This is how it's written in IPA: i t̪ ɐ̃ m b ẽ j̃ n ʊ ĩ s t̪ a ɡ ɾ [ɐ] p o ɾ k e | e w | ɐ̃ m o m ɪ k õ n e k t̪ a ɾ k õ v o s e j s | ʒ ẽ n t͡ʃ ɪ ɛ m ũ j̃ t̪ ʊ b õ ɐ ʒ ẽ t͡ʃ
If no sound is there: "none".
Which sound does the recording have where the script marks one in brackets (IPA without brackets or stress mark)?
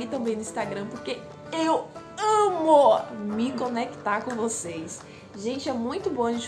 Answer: ɐ̃